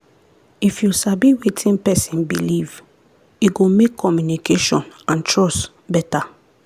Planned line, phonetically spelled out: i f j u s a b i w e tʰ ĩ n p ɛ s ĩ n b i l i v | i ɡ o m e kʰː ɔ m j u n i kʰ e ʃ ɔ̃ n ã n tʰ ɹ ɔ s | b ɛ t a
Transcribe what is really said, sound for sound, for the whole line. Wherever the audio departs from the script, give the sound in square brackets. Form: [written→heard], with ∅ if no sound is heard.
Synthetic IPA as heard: i f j u s a b i w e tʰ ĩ n p ɛ s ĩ n b i l i v | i ɡ o m e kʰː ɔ m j u n i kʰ e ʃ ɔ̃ n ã n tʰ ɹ ɔ s | b ɛ t a

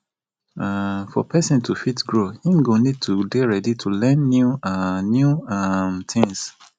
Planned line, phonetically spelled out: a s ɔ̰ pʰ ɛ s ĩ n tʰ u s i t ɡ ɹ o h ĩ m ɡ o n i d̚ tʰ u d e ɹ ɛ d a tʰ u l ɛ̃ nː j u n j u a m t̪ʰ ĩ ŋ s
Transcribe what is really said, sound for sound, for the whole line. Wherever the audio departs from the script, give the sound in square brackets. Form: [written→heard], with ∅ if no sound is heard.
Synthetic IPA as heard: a [s→f] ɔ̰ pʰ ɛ s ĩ n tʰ u [s→f] i t ɡ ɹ o h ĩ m ɡ o n i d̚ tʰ u d e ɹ ɛ d [a→i] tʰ u l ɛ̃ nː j u n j u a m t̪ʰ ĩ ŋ s

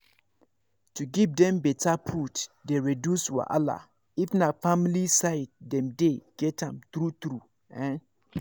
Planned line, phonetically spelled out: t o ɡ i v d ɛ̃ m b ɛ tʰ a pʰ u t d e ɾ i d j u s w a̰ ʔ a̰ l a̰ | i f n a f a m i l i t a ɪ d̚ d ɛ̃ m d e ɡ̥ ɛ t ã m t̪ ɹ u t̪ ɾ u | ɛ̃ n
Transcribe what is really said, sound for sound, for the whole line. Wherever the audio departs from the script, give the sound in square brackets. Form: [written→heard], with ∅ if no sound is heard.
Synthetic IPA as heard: t [o→u] ɡ i v d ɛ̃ m b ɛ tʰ a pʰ u t d e [ɾ→ɹ] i d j u s w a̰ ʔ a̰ l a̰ | i f n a f a m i l i [t→s] a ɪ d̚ d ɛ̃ m d e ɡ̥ ɛ t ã m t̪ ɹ u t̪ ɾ u | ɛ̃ n

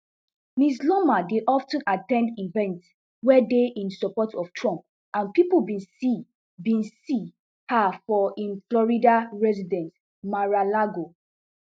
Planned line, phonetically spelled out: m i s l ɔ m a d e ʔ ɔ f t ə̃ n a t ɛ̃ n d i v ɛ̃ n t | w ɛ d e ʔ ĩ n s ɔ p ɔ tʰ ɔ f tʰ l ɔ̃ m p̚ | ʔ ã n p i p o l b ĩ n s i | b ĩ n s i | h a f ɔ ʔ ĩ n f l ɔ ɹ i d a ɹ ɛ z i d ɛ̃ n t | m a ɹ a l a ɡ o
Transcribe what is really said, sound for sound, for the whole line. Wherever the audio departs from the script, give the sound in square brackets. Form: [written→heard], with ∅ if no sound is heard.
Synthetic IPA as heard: m i s l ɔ m a d e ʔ ɔ f t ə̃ n a t ɛ̃ n d i v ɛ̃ n t | w ɛ d e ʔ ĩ n s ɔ p ɔ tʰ ɔ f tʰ [l→ɹ] ɔ̃ m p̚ | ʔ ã n p i p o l b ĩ n s i | b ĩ n s i | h a f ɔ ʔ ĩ n f l ɔ ɹ i d a ɹ ɛ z i d ɛ̃ n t | m a ɹ a l a ɡ o

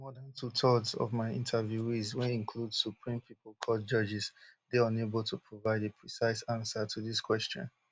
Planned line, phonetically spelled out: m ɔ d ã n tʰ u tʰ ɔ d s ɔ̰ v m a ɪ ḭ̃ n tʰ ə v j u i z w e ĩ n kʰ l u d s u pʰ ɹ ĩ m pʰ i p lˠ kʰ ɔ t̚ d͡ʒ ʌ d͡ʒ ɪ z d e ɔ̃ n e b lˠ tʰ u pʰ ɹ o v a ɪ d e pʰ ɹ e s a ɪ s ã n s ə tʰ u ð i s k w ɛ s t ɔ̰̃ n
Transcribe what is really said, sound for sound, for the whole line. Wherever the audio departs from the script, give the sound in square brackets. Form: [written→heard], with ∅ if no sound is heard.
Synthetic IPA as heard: m ɔ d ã n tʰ u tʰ ɔ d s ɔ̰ v m a ɪ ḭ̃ n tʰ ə v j u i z w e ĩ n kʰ l u d s u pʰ ɹ ĩ m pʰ i p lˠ kʰ ɔ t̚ d͡ʒ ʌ d͡ʒ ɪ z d e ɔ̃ n e b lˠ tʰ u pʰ ɹ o v a ɪ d e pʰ ɹ [e→i] s a ɪ s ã n s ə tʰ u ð i s k w ɛ s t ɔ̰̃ n

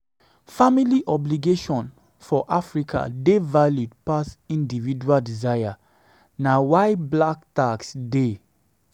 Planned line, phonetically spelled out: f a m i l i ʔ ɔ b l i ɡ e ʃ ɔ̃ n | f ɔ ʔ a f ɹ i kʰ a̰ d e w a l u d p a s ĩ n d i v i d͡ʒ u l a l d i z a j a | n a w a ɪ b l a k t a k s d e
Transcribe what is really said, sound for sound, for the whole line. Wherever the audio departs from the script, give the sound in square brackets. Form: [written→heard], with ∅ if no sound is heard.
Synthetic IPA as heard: f a m i l i ʔ ɔ b l i ɡ e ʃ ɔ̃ n | f ɔ ʔ a f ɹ i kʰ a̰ d e [w→v] a l u d p a s ĩ n d i v i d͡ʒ u [l→∅] a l d i z a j a | n a w a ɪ b l a k t a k s d e

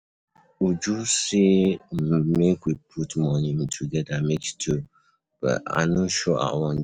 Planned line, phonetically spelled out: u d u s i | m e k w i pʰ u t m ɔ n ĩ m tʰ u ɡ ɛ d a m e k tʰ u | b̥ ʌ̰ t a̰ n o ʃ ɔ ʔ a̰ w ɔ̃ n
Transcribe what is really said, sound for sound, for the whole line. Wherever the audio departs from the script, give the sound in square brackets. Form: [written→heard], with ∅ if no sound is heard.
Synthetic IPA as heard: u [d→d͡ʒ] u s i | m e k w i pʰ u t m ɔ n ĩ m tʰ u ɡ ɛ d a m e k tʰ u | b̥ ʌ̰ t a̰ n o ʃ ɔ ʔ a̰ w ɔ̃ n

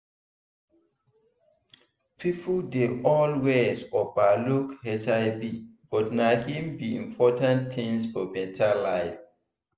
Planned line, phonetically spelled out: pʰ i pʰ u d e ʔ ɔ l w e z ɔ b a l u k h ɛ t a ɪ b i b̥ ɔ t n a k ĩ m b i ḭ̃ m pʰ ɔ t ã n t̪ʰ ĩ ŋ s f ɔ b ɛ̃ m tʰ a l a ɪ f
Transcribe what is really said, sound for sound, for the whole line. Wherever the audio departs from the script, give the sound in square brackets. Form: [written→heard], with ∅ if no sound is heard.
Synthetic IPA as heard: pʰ i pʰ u d e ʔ ɔ l w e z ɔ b a l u k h ɛ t a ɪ b i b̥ ɔ t n a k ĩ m b i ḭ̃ m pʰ ɔ t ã n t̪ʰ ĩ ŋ s f ɔ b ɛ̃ [m→n] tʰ a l a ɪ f

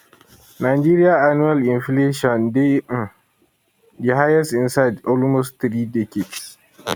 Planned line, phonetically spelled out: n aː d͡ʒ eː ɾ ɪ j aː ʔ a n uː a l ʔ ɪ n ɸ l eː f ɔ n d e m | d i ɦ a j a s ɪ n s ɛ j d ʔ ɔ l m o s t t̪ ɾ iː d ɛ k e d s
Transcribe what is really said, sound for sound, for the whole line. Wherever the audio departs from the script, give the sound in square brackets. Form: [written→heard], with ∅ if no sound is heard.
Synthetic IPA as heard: n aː d͡ʒ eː ɾ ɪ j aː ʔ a n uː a l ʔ ɪ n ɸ l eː [f→ʃ] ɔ n d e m | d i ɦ a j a s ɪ n s [ɛ→a] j d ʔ ɔ l m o s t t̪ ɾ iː d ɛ k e d s

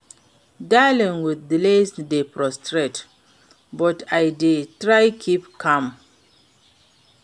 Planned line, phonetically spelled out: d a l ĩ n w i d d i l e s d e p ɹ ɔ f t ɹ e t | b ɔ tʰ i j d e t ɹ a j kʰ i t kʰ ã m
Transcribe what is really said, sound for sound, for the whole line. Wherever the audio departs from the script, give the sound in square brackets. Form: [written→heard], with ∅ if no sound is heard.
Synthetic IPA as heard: d a l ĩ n w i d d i l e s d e p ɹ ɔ [f→s] t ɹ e t | b ɔ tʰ [i→a] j d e t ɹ a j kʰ i [t→p] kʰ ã m

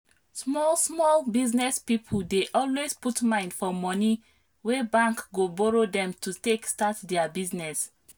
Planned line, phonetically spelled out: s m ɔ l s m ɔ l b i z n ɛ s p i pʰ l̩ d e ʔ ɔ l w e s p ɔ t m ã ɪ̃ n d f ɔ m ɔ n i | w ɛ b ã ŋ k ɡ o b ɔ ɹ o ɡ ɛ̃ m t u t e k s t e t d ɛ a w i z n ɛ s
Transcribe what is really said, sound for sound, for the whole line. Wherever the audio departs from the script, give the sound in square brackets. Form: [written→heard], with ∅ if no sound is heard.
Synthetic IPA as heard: s m ɔ l s m ɔ l b i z n ɛ s p i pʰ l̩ d e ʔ ɔ l w e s p [ɔ→u] t m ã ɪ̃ n d f ɔ m ɔ n i | w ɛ b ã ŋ k ɡ o b ɔ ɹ o [ɡ→d] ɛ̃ m t u t e k s t [e→a] t d ɛ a [w→b] i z n ɛ s

